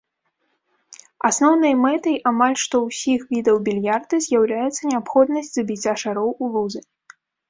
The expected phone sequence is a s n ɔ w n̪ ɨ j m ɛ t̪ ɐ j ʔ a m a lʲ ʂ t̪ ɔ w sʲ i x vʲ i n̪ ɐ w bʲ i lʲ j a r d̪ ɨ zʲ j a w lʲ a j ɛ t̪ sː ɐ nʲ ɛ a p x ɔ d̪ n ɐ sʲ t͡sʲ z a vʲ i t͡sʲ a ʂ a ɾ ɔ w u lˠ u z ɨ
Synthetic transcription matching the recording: a s n ɔ w n̪ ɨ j m ɛ t̪ ɐ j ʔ a m a lʲ ʂ t̪ ɔ w sʲ i x vʲ i d̪ ɐ w bʲ i lʲ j a r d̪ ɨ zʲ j a w lʲ a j ɛ t̪ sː ɐ nʲ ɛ a p x ɔ d̪ n ɐ sʲ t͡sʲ z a bʲ i t͡sʲ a ʂ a ɾ ɔ w u lˠ u z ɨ